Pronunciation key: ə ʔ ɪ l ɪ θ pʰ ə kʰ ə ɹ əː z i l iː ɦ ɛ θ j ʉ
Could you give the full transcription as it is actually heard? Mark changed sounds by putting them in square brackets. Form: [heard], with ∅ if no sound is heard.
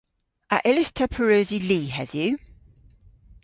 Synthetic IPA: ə ʔ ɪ l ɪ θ [tʰ] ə [pʰ] ə ɹ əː z i l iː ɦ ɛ [ð] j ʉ